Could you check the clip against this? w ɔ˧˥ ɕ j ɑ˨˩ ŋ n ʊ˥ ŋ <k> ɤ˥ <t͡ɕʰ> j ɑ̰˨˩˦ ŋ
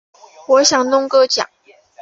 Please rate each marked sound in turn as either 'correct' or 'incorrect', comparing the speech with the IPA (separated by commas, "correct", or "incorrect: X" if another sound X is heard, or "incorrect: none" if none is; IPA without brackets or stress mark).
correct, incorrect: t͡ɕ